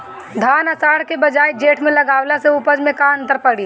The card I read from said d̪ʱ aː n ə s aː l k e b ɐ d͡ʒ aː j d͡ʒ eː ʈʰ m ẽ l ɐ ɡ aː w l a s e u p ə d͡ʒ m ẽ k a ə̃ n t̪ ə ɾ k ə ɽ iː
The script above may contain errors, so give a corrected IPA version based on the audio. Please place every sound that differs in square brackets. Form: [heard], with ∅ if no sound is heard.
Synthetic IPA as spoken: d̪ʱ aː n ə s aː [ɽ] k e b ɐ d͡ʒ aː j d͡ʒ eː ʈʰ m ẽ l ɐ ɡ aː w l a s e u p ə d͡ʒ m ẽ k a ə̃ n t̪ ə ɾ [p] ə ɽ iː